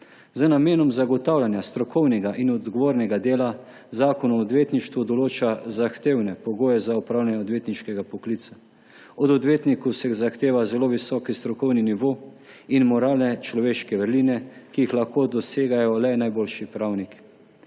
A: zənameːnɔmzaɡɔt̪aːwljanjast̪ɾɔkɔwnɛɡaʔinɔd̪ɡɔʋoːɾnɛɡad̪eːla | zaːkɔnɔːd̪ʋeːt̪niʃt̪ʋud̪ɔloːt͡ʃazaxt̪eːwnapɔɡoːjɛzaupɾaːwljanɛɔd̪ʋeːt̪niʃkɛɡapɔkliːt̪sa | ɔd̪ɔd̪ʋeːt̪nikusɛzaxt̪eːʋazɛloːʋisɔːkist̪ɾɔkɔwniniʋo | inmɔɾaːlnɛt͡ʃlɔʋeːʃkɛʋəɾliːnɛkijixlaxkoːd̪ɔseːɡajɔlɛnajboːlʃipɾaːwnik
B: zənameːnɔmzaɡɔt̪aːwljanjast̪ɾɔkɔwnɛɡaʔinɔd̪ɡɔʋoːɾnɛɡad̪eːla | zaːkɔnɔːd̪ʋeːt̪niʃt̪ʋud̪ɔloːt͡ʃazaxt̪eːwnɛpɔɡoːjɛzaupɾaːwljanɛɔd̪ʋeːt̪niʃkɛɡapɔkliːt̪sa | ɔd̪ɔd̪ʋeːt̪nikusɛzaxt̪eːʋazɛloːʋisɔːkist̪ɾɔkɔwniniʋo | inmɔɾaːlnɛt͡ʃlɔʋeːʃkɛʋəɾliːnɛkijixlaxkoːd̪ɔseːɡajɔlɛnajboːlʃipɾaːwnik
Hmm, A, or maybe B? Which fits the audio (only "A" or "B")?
B